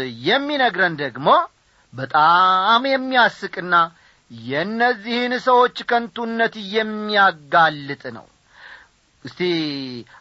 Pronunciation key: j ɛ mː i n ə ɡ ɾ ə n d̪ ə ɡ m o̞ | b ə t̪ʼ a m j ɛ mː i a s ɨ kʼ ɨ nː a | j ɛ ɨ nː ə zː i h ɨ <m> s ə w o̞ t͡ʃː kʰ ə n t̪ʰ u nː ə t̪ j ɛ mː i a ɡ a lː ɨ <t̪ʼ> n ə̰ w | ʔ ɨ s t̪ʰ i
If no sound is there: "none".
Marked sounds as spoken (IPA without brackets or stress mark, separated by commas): n, t̪ʼ